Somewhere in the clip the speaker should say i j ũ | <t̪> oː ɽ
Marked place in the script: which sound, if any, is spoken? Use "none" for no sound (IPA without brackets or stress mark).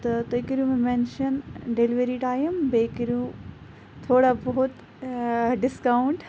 t̪ʰ